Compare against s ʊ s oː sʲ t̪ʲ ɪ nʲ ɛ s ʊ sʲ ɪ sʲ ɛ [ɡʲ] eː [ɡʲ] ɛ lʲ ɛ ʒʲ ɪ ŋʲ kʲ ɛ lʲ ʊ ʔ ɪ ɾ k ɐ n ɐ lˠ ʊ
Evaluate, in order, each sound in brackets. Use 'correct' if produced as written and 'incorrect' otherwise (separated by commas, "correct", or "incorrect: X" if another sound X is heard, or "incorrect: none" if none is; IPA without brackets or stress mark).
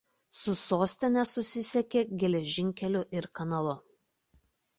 incorrect: kʲ, correct